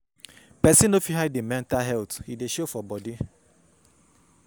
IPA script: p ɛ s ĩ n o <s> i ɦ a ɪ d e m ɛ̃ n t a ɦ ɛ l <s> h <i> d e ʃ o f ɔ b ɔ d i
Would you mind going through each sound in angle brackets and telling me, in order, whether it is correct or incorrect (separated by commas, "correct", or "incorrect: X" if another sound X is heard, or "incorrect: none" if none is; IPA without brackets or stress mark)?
incorrect: f, incorrect: t, correct